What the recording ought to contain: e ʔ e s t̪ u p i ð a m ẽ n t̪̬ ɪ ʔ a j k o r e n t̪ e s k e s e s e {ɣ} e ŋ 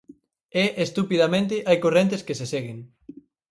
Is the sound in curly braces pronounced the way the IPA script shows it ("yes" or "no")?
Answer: yes